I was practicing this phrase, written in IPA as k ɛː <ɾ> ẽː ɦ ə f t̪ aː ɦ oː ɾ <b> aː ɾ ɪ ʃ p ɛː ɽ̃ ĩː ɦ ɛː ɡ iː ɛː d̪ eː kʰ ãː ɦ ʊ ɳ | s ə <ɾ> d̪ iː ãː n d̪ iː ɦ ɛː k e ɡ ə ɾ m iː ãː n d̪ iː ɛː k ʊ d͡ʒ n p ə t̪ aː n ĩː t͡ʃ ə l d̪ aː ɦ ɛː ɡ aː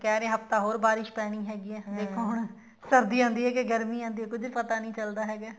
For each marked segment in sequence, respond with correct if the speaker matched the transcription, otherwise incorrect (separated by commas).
correct, correct, correct